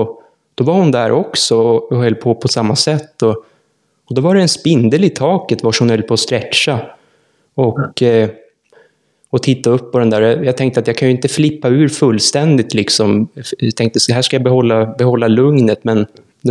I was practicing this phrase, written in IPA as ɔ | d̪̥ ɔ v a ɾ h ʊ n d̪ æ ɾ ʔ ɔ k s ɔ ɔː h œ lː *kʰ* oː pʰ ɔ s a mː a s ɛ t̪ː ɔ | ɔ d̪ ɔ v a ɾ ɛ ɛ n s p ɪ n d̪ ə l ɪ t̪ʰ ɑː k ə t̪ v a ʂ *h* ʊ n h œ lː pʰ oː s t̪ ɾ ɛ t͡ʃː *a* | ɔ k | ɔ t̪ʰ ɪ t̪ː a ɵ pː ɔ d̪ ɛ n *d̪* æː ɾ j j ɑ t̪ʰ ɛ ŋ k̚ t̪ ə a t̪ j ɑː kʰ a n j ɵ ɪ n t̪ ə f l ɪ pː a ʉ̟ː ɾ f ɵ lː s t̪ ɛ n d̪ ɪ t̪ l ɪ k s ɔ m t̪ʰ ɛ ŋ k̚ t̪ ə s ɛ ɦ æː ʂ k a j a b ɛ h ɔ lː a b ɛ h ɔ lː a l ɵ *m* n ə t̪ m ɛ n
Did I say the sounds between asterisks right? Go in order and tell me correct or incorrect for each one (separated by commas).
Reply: incorrect, correct, correct, correct, incorrect